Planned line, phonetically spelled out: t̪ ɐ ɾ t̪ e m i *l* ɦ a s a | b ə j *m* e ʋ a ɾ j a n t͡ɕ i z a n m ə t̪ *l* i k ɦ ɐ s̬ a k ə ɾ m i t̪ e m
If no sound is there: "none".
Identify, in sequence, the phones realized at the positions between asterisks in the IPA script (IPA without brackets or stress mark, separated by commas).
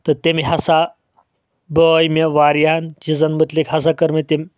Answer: none, m, l